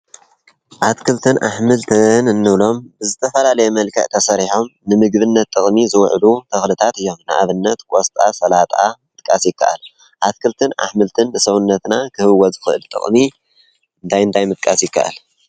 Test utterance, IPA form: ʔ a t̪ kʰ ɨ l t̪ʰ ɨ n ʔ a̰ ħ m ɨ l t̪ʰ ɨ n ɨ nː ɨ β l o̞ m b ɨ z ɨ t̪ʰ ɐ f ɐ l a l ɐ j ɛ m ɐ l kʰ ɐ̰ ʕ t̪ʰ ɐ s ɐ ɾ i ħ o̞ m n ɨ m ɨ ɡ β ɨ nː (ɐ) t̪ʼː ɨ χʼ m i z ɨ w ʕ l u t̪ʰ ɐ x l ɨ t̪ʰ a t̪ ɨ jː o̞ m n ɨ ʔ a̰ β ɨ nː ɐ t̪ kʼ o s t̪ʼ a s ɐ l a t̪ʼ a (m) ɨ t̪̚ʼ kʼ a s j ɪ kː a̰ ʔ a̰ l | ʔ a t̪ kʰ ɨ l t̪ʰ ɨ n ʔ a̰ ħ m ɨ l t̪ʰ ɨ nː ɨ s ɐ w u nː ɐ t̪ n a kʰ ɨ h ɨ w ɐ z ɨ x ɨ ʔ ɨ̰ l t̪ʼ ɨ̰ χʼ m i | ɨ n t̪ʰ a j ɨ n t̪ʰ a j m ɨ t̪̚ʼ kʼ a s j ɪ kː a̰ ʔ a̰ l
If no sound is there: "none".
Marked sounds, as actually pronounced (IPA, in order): ɐ, m

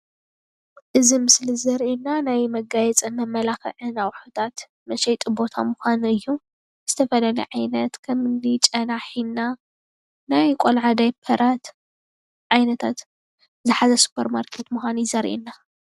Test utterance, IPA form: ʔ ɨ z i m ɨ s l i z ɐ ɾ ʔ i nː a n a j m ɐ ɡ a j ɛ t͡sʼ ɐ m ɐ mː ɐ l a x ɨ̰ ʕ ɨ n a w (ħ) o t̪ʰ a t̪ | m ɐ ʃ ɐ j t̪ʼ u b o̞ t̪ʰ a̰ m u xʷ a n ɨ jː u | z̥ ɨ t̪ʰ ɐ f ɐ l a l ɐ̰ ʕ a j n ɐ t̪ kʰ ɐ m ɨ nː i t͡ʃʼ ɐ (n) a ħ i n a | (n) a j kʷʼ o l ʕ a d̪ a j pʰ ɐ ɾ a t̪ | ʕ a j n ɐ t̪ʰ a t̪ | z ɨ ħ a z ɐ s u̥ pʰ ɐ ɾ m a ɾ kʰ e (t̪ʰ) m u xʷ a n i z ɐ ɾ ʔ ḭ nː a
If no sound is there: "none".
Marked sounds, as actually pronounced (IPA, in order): ħ, n, n, t̪

